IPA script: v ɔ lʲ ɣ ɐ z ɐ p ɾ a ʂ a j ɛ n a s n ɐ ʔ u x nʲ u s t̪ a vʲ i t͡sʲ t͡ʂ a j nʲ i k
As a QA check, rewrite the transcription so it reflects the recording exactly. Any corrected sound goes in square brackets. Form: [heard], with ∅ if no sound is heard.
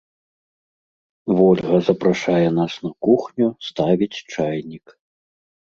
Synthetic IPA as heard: v ɔ lʲ ɣ ɐ z ɐ p ɾ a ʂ a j ɛ n a s n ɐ [k] u x nʲ u s t̪ a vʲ i t͡sʲ t͡ʂ a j nʲ i k